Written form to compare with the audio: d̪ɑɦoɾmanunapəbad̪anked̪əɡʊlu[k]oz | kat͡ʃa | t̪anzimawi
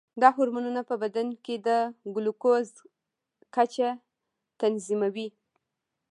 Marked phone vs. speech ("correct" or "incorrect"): correct